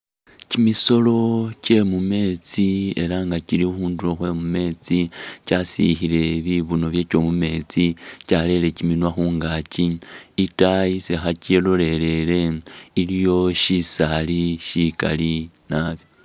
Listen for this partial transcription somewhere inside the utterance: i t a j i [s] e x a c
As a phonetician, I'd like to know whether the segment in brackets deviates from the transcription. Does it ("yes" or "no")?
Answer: no